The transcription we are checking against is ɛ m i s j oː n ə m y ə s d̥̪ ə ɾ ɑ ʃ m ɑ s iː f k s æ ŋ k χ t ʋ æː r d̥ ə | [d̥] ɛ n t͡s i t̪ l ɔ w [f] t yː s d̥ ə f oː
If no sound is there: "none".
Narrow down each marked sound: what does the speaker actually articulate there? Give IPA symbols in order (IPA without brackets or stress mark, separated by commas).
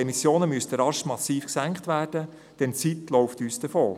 d̥, f